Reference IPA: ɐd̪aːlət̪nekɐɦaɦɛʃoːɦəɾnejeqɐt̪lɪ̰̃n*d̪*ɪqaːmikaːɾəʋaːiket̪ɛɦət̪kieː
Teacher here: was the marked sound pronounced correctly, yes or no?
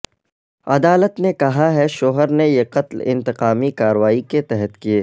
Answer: no